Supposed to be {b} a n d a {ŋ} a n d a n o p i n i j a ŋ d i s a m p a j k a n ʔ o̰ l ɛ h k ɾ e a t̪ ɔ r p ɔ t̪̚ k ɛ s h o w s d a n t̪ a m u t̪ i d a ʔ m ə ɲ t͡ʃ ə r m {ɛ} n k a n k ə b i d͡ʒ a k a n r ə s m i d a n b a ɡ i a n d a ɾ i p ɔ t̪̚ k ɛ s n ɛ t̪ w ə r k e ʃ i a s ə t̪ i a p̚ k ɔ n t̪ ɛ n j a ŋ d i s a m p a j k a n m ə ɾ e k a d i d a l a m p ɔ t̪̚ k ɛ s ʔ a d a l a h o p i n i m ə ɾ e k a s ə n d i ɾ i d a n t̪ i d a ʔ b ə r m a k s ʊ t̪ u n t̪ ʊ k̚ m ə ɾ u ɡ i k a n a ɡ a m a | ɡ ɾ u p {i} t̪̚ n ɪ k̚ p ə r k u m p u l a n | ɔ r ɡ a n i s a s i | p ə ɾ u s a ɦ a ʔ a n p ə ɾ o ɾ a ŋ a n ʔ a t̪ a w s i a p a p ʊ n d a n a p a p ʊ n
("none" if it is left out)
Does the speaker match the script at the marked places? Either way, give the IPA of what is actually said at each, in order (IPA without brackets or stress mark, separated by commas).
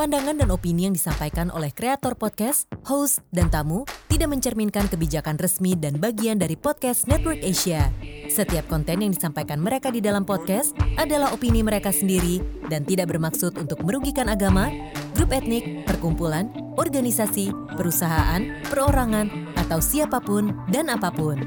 p, ŋ, i, ɛ